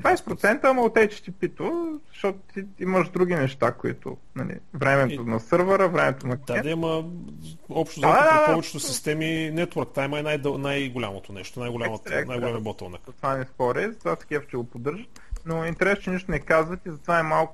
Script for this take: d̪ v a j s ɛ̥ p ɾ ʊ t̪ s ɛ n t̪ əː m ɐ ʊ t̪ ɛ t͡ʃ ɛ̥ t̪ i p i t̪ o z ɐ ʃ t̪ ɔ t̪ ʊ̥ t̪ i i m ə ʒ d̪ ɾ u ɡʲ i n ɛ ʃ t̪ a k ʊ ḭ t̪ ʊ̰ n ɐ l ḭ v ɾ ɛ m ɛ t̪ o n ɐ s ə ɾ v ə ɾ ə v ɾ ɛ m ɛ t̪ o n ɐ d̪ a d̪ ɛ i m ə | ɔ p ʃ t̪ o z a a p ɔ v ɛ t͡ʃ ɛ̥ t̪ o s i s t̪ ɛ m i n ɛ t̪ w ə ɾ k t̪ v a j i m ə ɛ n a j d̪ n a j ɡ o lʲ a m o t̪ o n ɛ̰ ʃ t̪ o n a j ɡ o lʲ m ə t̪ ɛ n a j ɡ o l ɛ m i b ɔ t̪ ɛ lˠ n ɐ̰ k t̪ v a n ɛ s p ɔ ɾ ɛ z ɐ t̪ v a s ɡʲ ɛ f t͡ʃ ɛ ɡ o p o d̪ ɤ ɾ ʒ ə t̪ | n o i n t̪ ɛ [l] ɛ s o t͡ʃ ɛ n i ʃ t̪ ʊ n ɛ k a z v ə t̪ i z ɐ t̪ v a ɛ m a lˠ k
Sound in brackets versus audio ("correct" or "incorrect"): incorrect